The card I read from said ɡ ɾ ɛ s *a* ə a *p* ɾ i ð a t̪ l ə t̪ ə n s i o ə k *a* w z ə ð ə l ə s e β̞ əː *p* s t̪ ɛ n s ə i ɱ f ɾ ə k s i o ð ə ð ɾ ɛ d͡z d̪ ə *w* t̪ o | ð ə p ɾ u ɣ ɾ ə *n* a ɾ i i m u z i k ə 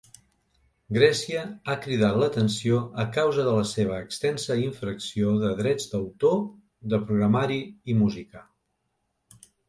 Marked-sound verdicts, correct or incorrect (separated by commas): incorrect, incorrect, correct, incorrect, correct, incorrect